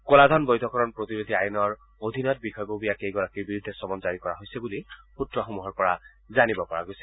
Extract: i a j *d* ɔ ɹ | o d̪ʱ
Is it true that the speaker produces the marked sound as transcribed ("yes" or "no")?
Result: no